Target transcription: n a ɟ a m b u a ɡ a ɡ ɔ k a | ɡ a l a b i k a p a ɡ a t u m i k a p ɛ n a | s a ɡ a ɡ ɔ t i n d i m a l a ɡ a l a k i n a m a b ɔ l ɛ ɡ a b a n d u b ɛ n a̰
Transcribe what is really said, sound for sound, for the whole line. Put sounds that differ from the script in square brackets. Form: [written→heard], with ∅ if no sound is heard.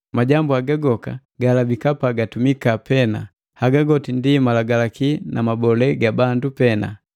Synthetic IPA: [n→m] a ɟ a m b u a ɡ a ɡ ɔ k a | ɡ a l a b i k a p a ɡ a t u m i k a p ɛ n a | [s→h] a ɡ a ɡ ɔ t i n d i m a l a ɡ a l a k i n a m a b ɔ l ɛ ɡ a b a n d u [b→p] ɛ n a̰